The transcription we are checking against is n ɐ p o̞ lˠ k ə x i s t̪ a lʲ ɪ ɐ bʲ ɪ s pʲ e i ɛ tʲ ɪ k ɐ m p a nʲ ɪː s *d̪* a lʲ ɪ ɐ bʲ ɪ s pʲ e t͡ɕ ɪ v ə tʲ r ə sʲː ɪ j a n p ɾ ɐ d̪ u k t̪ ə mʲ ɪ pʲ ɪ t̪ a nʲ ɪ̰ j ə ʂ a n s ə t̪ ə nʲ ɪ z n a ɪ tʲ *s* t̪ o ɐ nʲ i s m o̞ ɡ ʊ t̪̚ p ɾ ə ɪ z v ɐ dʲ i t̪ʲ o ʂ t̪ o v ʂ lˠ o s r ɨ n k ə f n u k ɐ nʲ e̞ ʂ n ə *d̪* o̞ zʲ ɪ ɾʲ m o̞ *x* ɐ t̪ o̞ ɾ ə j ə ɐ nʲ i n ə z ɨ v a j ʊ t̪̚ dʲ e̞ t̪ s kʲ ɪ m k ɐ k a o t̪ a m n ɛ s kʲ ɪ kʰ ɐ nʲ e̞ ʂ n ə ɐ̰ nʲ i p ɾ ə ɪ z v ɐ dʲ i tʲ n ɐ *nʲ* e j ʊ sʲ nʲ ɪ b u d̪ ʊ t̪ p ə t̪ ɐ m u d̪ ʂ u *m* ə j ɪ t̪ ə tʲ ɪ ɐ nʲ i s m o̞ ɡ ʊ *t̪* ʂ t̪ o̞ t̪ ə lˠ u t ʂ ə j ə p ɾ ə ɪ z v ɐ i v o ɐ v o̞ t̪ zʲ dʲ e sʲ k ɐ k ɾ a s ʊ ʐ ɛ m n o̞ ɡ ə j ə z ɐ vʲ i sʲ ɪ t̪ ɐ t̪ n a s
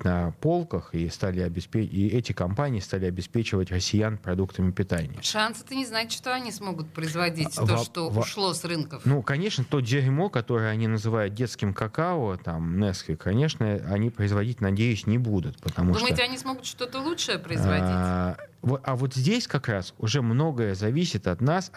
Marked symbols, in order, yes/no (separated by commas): no, no, no, no, no, yes, yes